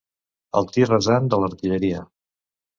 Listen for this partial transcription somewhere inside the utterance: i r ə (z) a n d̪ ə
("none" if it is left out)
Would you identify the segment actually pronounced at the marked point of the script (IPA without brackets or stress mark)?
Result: z